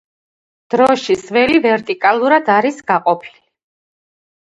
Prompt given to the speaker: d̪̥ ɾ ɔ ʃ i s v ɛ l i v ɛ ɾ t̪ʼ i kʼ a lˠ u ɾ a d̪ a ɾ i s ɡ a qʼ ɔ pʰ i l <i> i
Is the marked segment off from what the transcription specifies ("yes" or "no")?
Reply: no